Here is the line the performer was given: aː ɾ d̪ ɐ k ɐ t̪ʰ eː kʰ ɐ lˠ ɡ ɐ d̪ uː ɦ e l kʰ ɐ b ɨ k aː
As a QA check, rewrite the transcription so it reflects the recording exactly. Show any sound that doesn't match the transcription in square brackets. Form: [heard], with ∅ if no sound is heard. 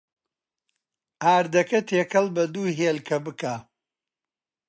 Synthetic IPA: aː ɾ d̪ ɐ k ɐ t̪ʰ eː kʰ ɐ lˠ [b] ɐ d̪ uː ɦ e l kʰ ɐ b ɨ k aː